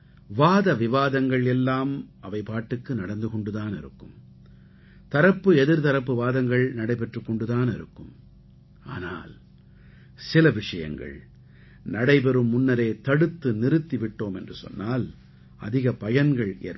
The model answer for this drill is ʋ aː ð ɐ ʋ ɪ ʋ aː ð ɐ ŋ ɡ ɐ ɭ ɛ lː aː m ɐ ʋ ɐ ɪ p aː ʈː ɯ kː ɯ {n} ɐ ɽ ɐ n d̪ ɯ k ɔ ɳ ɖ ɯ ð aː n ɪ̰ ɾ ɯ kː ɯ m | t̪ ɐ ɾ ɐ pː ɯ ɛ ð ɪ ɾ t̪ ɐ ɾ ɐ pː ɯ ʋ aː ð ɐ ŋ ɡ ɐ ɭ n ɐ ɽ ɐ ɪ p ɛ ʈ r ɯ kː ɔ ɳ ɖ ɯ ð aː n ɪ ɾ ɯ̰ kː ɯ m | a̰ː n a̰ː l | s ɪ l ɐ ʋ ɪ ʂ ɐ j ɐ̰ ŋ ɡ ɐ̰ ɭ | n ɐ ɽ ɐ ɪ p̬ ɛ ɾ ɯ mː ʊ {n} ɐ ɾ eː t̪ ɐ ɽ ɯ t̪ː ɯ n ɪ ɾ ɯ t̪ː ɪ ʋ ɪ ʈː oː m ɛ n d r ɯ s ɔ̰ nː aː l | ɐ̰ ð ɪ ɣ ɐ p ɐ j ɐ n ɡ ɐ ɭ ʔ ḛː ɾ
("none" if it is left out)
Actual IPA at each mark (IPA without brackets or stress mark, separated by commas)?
n, nː